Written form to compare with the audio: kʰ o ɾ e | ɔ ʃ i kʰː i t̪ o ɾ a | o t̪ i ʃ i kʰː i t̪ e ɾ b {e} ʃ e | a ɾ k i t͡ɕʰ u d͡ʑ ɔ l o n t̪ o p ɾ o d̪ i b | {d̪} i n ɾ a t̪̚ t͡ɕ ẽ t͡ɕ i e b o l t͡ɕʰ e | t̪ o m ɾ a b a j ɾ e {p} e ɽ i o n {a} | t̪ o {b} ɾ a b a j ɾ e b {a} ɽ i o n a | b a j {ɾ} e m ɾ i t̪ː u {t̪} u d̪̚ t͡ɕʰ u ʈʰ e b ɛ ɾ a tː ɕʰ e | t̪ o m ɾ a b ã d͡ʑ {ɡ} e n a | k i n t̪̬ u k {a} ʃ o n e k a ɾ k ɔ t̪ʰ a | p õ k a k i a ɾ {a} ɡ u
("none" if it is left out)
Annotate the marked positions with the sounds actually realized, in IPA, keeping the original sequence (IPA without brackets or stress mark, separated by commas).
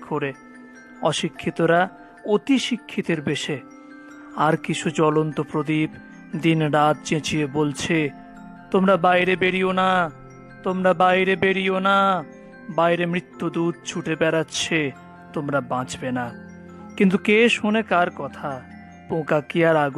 e, d̪, b, a, m, e, ɾ, d̪, b, e, a